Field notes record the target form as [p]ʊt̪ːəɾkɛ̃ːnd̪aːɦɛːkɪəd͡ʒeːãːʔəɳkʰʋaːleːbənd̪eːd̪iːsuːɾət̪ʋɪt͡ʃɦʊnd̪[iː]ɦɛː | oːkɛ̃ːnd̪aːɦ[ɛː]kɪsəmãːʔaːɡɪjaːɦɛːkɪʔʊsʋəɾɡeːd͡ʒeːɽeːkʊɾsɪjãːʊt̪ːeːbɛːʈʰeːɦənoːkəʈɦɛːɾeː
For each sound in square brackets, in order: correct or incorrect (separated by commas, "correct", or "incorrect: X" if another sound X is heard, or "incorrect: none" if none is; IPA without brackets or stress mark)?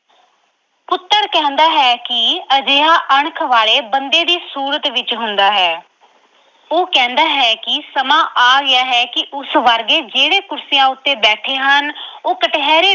correct, incorrect: aː, correct